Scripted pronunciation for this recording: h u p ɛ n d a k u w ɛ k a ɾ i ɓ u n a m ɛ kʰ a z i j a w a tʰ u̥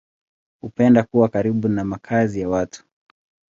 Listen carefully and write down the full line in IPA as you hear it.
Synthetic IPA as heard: h u p ɛ n d a k u w a k a ɾ i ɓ u n a m a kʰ a z i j a w a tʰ u̥